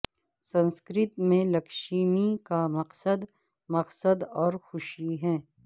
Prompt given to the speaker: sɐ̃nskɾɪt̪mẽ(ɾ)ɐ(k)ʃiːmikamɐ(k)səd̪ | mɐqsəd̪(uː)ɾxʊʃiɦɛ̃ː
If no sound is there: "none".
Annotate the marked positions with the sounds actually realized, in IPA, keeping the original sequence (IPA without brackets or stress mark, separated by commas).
l, k, q, ɔː